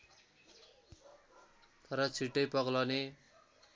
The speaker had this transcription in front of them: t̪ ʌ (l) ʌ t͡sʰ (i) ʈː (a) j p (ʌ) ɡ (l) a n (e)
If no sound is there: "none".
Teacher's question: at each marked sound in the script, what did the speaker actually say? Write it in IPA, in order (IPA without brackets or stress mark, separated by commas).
ɾ, i, ʌ, ʌ, l, e